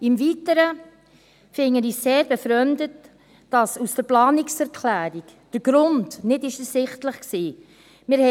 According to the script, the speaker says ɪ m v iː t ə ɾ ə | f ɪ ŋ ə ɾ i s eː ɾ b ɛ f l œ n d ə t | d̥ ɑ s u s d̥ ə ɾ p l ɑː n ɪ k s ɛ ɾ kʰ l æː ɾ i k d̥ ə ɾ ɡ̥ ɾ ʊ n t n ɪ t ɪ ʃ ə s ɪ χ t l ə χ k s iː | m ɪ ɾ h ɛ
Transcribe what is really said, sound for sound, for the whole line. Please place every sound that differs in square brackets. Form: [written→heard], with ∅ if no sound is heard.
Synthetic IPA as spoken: ɪ m v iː t ə ɾ ə | f ɪ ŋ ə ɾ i s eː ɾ b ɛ f [l→ɾ] œ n d ə t | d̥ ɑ s u s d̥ ə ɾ p l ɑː n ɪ k s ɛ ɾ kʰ l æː ɾ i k d̥ ə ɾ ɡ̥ ɾ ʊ n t n ɪ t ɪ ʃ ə s ɪ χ t l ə χ k s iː | m ɪ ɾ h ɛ